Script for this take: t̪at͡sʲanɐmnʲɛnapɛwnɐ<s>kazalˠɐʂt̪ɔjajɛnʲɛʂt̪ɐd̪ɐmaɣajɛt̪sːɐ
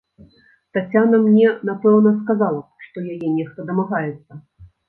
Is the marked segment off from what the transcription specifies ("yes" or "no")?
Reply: no